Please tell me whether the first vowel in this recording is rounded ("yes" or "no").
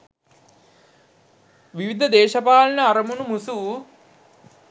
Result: no